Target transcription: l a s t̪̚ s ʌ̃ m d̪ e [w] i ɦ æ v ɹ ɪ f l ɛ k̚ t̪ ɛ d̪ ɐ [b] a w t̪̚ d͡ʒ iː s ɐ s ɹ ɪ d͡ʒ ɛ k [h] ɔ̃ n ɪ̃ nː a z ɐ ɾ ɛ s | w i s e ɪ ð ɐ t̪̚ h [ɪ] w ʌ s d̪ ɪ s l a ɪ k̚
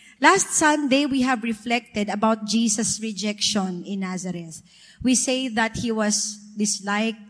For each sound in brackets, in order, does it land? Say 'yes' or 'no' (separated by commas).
yes, yes, no, no